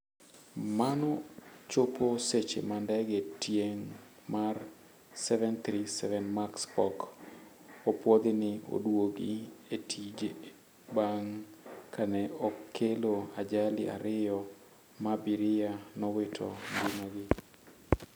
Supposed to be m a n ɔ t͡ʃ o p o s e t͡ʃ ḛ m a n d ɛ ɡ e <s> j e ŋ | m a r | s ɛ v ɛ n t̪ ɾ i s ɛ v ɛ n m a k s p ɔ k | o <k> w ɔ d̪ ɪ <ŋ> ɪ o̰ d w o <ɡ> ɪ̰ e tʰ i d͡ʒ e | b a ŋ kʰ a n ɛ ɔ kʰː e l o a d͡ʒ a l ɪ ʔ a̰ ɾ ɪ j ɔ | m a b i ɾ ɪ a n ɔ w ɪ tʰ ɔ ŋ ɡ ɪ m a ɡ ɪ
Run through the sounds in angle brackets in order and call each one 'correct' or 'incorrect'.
incorrect: t, incorrect: p, incorrect: n, correct

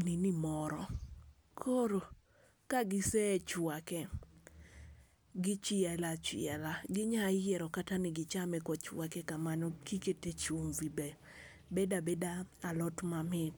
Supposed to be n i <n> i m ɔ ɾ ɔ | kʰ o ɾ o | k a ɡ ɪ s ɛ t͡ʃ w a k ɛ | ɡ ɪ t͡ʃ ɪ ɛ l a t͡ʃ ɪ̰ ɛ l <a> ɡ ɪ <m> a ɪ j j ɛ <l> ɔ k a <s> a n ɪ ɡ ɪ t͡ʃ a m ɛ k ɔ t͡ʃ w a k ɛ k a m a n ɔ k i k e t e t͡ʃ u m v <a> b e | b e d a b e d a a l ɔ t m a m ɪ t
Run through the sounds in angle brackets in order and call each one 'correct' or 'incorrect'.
correct, correct, incorrect: ɲ, incorrect: ɾ, incorrect: t, incorrect: i

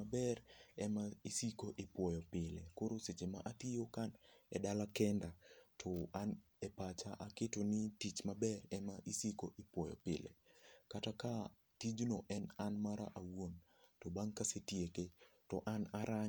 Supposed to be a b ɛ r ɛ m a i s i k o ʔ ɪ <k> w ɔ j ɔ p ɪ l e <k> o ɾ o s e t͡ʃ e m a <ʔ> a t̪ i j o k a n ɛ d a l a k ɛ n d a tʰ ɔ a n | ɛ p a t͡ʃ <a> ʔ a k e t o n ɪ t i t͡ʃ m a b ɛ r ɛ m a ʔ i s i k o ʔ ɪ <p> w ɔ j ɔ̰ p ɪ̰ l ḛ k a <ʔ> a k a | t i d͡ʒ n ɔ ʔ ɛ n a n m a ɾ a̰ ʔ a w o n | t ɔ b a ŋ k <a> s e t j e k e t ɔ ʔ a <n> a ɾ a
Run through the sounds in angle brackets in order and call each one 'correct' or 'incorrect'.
incorrect: p, correct, correct, correct, correct, incorrect: t, correct, correct

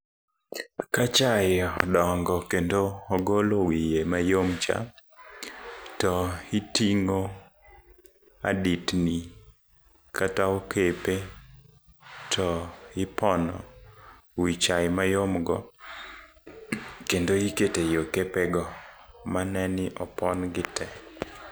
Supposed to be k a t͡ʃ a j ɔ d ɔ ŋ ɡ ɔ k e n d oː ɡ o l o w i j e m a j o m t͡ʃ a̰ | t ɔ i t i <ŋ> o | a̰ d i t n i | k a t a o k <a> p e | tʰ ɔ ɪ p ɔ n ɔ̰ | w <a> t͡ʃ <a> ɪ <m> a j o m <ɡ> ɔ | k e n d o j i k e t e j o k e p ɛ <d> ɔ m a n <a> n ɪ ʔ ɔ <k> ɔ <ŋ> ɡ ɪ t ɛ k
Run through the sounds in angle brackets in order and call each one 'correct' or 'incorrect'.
correct, incorrect: e, incorrect: i, correct, correct, correct, incorrect: ɡ, incorrect: ɛ, incorrect: p, incorrect: n

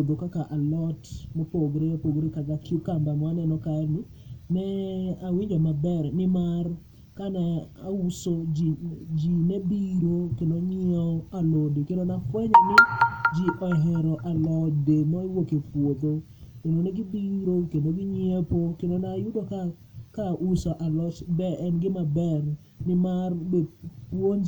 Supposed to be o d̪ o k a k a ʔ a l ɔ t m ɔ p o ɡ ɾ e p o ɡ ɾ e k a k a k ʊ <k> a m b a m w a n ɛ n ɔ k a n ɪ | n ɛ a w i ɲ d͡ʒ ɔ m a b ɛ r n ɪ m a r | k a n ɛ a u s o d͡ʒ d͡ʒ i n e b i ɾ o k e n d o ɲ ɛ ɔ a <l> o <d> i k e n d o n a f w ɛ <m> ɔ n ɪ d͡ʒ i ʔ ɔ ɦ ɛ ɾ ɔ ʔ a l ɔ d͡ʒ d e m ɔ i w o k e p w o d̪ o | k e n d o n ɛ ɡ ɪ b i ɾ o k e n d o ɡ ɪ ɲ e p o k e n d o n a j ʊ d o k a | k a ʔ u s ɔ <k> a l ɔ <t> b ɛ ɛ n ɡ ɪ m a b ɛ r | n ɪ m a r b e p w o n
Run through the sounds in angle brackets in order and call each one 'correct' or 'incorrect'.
correct, correct, correct, incorrect: ɲ, incorrect: ʔ, incorrect: t͡ʃ

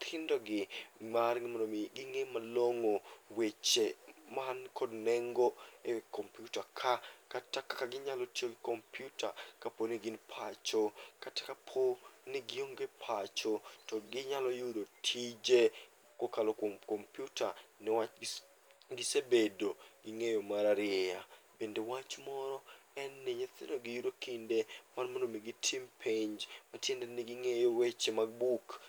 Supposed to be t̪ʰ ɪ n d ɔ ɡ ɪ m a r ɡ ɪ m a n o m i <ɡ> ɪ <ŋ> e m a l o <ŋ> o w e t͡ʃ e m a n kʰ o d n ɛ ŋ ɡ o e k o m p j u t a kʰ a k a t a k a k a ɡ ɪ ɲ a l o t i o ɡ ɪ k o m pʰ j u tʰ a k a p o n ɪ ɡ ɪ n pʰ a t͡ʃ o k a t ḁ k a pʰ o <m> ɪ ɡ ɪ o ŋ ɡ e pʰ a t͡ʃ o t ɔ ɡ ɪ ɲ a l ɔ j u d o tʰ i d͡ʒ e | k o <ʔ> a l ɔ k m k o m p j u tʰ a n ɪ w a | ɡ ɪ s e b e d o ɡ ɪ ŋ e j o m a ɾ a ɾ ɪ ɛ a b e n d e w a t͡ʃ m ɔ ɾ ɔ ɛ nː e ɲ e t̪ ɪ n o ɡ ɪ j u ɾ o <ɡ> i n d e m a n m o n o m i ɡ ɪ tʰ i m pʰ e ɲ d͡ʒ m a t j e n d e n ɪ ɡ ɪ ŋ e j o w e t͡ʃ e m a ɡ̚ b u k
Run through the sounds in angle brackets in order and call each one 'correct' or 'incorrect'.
correct, correct, correct, incorrect: n, incorrect: k, incorrect: k

